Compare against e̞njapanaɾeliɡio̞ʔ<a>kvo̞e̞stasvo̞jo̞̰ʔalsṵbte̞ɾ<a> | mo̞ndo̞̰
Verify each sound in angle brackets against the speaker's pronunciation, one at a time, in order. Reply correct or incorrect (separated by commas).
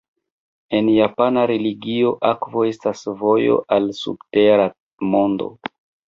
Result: correct, correct